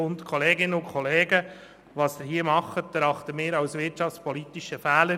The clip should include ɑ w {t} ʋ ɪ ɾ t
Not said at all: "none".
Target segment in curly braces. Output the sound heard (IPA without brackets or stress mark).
s